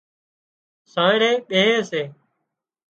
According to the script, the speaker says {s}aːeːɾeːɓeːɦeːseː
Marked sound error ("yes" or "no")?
no